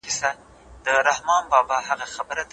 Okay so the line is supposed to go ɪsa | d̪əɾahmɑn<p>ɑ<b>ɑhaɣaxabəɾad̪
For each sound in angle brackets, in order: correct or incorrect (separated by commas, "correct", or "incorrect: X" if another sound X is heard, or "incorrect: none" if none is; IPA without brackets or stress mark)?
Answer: incorrect: b, correct